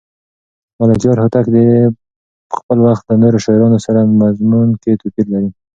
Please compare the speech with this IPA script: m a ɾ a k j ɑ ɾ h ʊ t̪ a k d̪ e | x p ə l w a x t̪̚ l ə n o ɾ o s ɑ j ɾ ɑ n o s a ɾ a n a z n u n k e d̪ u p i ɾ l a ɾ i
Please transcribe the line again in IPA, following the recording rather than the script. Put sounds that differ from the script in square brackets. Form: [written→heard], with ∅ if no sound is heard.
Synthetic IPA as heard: m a [ɾ→l] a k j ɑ ɾ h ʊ t̪ a k d̪ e | x p ə l w a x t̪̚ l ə n o ɾ o [s→ʃ] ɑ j ɾ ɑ n o s a ɾ a [n→m] a z [n→m] u n k e [d̪→t̪] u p i ɾ l a ɾ i